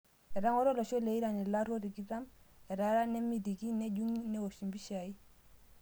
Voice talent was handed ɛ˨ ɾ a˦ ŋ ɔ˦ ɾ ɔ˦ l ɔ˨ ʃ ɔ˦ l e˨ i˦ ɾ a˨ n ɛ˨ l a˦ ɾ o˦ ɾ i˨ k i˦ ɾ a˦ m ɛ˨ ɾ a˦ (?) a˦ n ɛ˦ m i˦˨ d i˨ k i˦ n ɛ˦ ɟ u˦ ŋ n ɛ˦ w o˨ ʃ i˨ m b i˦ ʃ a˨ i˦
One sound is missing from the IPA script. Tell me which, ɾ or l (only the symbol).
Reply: ɾ